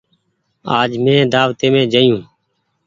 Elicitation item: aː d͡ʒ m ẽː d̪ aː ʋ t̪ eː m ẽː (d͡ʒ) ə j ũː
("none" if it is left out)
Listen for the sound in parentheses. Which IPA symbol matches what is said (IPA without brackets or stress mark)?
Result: d͡ʒ